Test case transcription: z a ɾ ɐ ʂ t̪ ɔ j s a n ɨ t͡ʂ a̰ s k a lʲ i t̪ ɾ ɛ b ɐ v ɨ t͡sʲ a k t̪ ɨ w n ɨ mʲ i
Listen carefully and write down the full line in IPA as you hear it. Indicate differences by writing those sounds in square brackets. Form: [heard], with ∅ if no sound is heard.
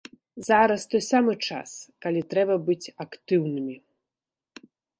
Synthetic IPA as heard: z a ɾ ɐ [s] t̪ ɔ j s a [m] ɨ t͡ʂ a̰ s k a lʲ i t̪ ɾ ɛ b ɐ [b] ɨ t͡sʲ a k t̪ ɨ w n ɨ mʲ i